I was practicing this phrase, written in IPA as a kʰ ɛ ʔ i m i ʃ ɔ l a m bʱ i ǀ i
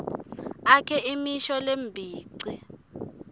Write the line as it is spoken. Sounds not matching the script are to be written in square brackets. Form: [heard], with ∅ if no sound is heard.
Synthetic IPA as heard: a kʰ ɛ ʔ i m i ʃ ɔ l [e] m bʱ [iː] ǀ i